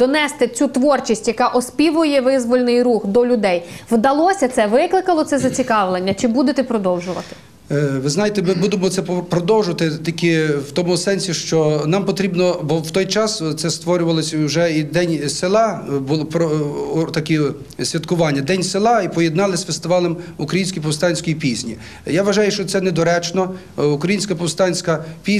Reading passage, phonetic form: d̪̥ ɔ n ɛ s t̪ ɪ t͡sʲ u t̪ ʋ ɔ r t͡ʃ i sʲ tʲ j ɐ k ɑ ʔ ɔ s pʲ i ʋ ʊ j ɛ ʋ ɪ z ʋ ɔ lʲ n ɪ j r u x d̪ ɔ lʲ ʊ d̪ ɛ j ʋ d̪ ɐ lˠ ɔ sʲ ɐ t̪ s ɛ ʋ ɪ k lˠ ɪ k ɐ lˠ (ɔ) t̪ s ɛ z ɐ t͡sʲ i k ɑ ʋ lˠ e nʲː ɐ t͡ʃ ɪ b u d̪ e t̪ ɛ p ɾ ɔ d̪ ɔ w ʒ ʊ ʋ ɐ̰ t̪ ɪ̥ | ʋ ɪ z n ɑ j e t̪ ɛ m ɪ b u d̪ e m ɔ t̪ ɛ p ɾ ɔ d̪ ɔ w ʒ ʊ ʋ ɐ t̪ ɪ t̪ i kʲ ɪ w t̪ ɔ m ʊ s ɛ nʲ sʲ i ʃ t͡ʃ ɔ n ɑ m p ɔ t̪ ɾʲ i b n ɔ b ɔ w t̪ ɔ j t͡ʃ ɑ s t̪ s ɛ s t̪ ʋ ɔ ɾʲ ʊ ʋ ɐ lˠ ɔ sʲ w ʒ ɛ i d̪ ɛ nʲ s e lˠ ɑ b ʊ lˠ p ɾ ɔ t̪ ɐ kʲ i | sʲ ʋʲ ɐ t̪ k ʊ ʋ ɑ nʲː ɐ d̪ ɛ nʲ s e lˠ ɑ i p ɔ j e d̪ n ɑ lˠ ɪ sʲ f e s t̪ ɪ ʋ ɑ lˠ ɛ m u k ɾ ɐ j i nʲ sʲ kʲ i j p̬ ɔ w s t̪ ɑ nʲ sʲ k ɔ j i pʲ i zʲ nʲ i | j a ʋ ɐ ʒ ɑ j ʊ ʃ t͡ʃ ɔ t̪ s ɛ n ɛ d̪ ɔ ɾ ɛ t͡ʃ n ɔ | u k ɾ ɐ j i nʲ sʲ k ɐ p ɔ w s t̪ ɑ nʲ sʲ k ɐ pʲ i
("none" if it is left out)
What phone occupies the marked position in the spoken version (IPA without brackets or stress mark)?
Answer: ɔ